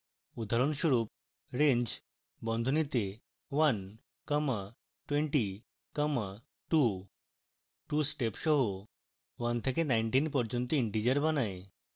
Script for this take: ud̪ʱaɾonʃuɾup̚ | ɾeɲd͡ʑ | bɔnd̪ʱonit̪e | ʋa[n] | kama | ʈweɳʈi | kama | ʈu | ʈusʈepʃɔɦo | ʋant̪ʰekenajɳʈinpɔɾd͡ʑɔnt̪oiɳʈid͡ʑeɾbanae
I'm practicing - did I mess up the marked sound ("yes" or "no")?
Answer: no